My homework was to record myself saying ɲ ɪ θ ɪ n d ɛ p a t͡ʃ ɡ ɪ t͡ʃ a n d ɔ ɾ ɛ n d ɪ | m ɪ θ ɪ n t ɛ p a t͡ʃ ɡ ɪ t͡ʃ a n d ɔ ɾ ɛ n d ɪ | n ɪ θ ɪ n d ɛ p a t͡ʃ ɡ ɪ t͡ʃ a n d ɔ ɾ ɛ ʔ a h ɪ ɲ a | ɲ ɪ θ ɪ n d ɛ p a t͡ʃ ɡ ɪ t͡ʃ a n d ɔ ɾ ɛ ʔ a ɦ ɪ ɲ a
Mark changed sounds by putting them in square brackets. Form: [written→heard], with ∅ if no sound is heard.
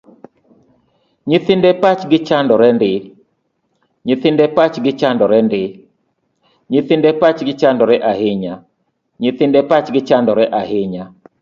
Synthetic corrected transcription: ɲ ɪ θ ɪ n d ɛ p a t͡ʃ ɡ ɪ t͡ʃ a n d ɔ ɾ ɛ n d ɪ | [m→ɲ] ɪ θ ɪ n [t→d] ɛ p a t͡ʃ ɡ ɪ t͡ʃ a n d ɔ ɾ ɛ n d ɪ | [n→ɲ] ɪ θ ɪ n d ɛ p a t͡ʃ ɡ ɪ t͡ʃ a n d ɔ ɾ ɛ ʔ a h ɪ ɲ a | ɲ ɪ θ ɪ n d ɛ p a t͡ʃ ɡ ɪ t͡ʃ a n d ɔ ɾ ɛ ʔ a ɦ ɪ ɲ a